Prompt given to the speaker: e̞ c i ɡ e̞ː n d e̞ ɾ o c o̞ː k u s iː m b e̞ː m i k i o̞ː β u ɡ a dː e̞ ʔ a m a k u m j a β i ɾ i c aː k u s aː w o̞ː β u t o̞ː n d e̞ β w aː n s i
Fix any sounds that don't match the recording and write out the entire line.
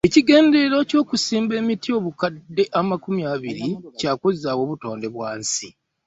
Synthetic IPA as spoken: e̞ c i ɡ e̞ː n d e̞ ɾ o c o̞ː k u s iː m b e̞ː m i t i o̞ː β u k a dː e̞ ʔ a m a k u m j a β i ɾ i c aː k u z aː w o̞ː β u t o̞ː n d e̞ β w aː n s i